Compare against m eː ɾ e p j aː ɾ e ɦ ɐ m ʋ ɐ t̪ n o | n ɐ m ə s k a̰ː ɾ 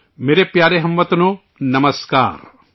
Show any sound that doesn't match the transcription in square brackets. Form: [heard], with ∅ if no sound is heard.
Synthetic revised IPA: m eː ɾ e p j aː ɾ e ɦ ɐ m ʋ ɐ t̪ n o | n ɐ m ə s k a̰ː ɾ